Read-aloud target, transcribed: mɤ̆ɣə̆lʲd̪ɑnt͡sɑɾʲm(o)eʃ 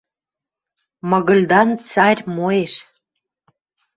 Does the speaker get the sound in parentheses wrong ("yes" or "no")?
no